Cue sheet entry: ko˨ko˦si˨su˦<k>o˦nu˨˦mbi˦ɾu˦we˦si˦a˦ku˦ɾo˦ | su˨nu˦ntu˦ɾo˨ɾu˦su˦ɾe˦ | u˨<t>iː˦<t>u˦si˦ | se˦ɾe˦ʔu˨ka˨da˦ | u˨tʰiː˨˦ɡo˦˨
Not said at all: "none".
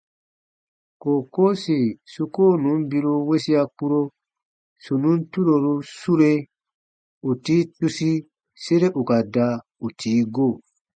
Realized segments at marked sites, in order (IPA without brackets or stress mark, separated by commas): k, t, t